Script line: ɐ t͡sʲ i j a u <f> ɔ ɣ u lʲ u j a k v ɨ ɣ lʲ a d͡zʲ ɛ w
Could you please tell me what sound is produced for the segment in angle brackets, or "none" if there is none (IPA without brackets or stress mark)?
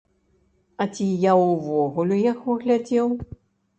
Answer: v